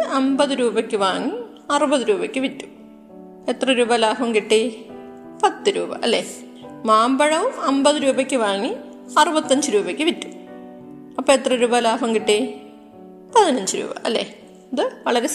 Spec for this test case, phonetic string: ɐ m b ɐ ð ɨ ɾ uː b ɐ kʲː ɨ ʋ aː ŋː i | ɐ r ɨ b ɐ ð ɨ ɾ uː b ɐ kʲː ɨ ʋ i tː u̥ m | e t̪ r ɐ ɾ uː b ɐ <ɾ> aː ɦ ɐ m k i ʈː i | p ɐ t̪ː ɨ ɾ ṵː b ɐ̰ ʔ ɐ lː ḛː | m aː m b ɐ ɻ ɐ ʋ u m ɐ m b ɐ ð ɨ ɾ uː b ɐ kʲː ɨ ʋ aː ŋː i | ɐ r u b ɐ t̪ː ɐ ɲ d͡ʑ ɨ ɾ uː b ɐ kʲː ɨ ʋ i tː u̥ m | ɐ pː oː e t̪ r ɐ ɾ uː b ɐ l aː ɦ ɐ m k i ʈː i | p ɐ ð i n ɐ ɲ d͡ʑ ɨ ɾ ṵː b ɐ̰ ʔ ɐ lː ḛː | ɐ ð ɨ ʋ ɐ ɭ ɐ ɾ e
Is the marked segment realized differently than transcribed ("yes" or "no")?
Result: yes